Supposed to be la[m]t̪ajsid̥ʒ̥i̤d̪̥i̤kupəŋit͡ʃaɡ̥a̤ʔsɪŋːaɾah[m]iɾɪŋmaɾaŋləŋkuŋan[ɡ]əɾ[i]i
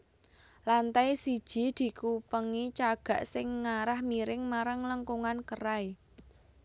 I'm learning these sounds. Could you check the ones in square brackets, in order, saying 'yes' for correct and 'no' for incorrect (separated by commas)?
no, yes, no, no